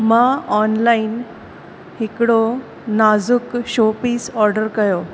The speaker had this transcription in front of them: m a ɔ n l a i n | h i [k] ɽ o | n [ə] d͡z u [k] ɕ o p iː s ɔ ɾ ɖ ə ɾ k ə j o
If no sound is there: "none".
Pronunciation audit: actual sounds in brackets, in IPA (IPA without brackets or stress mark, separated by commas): k, a, k